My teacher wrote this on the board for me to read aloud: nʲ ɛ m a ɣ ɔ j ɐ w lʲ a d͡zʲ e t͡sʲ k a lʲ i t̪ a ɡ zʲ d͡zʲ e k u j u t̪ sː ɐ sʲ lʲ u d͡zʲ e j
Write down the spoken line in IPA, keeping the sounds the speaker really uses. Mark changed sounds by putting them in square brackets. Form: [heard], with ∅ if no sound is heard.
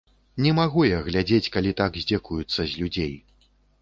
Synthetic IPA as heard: nʲ ɛ m a ɣ [u] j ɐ [ɣ] lʲ a d͡zʲ e t͡sʲ k a lʲ i t̪ a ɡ zʲ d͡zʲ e k u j u t̪ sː ɐ [zʲ] lʲ u d͡zʲ e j

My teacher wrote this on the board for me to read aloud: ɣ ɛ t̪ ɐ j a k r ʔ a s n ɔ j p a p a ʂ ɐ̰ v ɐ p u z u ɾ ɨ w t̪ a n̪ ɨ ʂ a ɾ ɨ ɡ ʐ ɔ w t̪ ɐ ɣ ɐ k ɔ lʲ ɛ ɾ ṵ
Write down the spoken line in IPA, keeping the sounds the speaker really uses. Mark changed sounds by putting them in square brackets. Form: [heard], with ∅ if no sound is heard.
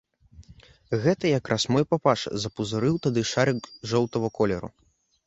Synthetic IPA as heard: ɣ ɛ t̪ ɐ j a k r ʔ a s [m] ɔ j p a p a ʂ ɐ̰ [z] ɐ p u z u ɾ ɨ w t̪ a [d̪] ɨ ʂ a ɾ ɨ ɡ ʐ ɔ w t̪ ɐ [v] ɐ k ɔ lʲ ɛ ɾ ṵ

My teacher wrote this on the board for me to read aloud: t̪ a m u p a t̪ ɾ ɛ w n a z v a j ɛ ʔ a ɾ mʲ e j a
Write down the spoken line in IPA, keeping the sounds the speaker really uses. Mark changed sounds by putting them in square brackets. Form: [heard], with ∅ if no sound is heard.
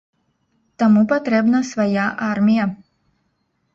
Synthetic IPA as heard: t̪ a m u p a t̪ ɾ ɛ [b] n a [s] v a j [a] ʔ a ɾ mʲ [i] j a

